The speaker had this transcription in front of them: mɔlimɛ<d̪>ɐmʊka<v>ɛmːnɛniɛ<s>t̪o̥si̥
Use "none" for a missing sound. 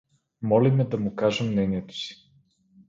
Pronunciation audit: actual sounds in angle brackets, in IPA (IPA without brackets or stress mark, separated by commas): d̪, ʒ, none